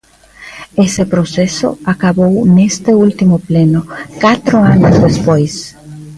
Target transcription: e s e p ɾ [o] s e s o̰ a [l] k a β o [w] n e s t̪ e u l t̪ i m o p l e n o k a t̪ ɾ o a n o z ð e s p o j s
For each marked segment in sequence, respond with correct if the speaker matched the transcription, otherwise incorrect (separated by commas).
correct, incorrect, correct